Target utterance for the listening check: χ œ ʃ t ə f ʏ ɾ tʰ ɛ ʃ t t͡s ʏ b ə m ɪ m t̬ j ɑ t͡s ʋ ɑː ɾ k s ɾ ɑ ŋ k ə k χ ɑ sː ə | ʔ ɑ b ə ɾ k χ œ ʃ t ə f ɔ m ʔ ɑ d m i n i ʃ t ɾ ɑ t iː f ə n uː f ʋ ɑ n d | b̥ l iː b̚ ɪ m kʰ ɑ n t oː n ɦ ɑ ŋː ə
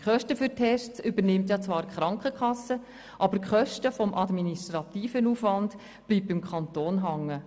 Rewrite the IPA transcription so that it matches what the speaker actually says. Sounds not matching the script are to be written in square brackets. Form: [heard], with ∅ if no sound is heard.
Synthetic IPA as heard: χ œ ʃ t ə f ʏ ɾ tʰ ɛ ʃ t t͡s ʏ b ə [n] ɪ m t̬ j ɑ t͡s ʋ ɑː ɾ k [χ] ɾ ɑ ŋ k ə k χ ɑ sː ə | ʔ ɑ b ə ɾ k χ œ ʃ t ə f ɔ m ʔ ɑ d m i n i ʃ t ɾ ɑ t iː f ə n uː f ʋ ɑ n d | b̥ l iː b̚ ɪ m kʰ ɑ n t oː n ɦ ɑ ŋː ə

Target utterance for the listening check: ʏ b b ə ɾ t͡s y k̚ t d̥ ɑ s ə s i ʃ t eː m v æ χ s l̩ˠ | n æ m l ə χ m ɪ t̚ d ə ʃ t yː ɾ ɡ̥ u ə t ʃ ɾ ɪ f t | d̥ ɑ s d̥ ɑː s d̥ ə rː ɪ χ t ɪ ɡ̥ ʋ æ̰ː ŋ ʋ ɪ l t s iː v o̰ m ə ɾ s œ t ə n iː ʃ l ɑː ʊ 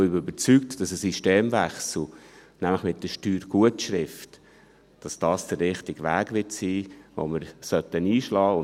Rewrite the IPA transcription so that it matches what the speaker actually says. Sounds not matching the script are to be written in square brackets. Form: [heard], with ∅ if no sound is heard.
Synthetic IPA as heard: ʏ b b ə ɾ t͡s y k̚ t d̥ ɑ s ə s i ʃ t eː m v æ χ s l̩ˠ | n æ m l ə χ m ɪ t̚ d ə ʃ t yː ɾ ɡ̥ u ə t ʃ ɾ ɪ f t | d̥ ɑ s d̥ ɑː s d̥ ə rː ɪ χ t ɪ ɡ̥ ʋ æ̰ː [ɡ] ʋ ɪ [∅] t s iː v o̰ m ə ɾ s œ t ə n iː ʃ l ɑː ʊ

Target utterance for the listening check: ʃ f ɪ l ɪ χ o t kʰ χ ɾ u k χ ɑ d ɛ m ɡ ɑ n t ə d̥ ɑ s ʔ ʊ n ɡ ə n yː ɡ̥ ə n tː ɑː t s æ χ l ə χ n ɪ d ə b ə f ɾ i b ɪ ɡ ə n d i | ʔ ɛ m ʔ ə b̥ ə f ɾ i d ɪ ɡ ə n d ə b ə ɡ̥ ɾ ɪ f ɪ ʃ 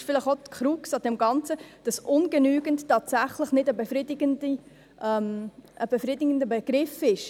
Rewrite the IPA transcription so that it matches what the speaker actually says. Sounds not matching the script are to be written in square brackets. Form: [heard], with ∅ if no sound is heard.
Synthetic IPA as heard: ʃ f ɪ l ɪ χ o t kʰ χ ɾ u k [s] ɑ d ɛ m ɡ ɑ n [t͡s] ə d̥ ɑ s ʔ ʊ n ɡ ə n yː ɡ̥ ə n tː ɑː t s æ χ l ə χ n ɪ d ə b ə f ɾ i [d] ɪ ɡ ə n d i | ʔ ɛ m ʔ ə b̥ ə f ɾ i d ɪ ɡ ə n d ə b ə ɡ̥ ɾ ɪ f ɪ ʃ

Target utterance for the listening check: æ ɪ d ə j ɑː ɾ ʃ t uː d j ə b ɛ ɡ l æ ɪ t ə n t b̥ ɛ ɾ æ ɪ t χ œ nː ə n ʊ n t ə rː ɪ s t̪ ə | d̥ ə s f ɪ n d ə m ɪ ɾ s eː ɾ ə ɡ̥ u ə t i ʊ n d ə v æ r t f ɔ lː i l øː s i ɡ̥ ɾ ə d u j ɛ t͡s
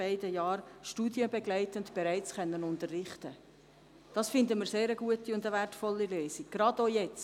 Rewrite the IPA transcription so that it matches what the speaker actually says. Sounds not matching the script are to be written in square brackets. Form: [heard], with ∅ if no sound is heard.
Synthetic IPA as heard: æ ɪ d ə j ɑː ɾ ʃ t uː d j ə b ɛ ɡ l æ ɪ t ə n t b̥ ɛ ɾ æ ɪ [t͡s] χ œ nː ə n ʊ n t ə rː ɪ [χ] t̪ ə | d̥ [ɑ] s f ɪ n d ə m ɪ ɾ s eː ɾ ə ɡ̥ u ə t i ʊ n d ə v æ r t f ɔ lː i l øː s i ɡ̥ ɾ [ɑ] d [o] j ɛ t͡s

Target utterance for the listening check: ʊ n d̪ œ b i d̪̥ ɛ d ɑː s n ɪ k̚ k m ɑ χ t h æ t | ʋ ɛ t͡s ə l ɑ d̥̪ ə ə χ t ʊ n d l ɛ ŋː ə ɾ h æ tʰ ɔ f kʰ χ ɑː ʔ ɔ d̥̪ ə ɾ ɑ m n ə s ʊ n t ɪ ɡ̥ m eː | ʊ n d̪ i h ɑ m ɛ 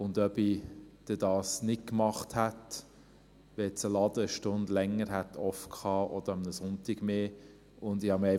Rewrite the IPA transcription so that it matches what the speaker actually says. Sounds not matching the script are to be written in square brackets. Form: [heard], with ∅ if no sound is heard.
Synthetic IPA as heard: ʊ n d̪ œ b i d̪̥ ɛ d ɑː s n ɪ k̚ k m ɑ χ t h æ t | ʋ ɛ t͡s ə l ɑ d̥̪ ə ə [ʃ] t ʊ n d l ɛ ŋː ə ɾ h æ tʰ ɔ f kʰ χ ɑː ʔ ɔ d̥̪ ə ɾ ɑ m n ə s ʊ n t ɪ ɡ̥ m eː | ʊ n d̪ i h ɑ m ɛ

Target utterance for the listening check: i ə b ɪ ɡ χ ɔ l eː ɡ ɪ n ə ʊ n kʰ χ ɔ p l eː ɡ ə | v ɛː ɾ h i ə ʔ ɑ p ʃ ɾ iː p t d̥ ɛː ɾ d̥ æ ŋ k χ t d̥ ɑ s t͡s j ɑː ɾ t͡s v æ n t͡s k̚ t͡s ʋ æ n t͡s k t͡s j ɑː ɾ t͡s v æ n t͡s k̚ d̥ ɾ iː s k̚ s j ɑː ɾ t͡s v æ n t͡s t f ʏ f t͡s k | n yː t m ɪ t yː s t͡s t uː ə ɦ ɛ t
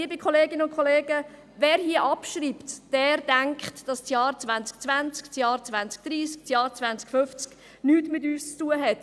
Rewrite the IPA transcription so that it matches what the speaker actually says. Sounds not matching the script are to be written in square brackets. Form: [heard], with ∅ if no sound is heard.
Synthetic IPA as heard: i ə b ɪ [k] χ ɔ l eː ɡ ɪ n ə ʊ n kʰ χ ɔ [∅] l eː ɡ ə | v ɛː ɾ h i ə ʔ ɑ p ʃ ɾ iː p t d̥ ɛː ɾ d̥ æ ŋ k χ t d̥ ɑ s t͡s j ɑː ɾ t͡s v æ n t͡s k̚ t͡s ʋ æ n t͡s k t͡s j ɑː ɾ t͡s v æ n t͡s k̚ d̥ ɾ iː s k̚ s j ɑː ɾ t͡s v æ n t͡s [k] f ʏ f t͡s k | n yː t m ɪ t yː s t͡s t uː ə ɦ ɛ t

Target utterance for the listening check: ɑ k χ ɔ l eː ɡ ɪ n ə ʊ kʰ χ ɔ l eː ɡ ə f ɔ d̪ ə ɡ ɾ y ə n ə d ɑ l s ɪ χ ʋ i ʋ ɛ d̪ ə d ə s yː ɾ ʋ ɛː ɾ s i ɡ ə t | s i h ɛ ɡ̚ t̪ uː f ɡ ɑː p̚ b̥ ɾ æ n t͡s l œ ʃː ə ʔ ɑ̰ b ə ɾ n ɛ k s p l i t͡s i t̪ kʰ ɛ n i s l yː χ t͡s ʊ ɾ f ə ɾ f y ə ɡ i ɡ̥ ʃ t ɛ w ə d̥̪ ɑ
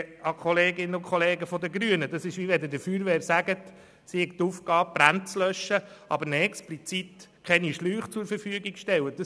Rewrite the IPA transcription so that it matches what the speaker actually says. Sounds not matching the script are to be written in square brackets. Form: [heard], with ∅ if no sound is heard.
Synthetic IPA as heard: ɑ k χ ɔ l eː ɡ ɪ n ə ʊ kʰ χ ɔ l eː ɡ ə f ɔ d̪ ə ɡ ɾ y ə n ə d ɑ [∅] s ɪ [ʃ] ʋ i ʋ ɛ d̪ ə d ə [f] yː ɾ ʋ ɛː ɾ s [æ] ɡ ə t | s i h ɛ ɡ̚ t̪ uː f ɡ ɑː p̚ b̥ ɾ æ n t͡s l œ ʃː ə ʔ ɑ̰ b ə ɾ n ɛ k s p l i t͡s i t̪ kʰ ɛ n i [ʃ] l yː χ t͡s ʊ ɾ f ə ɾ f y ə ɡ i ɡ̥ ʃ t ɛ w ə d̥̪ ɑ

